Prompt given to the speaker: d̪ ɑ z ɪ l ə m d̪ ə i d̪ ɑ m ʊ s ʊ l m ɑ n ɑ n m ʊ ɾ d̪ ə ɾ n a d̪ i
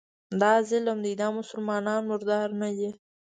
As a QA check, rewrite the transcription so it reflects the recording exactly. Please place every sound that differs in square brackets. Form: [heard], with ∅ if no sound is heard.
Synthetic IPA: d̪ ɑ z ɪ l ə m d̪ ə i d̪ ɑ m ʊ s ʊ l m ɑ n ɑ n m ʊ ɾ d̪ [ɑ] ɾ n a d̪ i